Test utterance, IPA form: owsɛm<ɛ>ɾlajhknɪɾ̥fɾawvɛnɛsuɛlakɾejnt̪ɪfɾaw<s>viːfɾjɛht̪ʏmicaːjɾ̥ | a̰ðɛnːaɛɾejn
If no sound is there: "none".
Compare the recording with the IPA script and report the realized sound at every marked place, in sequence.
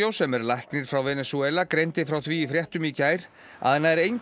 ɛ, θ

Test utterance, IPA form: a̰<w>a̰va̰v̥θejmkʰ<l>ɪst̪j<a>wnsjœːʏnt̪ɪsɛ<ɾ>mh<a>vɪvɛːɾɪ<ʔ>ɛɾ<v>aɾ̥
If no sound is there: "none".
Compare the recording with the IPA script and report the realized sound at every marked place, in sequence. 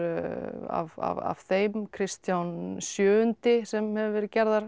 v, ɾ, a, none, ɛ, c, ð

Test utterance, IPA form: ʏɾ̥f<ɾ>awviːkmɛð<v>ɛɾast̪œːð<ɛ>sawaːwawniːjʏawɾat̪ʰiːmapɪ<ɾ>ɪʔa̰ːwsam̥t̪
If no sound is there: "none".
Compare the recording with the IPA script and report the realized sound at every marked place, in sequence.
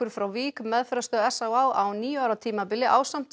ɾ, f, ɛ, l

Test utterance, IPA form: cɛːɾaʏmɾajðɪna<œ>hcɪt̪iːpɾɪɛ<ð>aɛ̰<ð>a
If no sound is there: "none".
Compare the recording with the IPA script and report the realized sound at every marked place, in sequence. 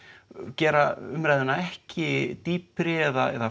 ɛ, ð, ð

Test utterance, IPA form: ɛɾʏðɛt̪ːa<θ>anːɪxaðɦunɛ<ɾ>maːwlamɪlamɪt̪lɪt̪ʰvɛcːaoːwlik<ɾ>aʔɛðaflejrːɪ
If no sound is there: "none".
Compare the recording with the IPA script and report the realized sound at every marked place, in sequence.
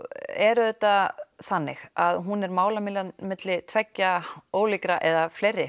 θ, ɾ, ɾ

